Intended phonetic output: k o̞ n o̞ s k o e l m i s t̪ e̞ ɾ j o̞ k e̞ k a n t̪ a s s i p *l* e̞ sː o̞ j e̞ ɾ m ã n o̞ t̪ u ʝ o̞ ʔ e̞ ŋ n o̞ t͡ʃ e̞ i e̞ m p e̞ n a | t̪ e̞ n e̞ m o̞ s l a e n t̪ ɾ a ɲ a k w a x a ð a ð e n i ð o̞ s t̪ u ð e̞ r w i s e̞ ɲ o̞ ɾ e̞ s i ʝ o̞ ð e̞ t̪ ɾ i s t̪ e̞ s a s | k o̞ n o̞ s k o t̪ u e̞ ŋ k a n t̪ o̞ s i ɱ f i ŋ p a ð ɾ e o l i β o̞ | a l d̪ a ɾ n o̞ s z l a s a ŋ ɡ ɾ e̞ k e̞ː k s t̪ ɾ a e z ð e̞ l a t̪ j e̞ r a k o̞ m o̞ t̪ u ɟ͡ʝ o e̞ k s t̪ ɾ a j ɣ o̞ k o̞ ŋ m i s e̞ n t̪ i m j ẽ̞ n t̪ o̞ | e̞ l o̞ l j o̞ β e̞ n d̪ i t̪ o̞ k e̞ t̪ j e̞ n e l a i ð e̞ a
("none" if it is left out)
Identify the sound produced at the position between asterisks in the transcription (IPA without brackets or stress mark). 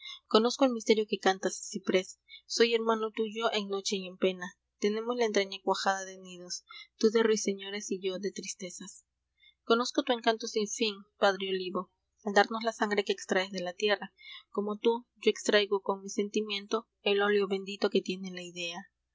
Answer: ɾ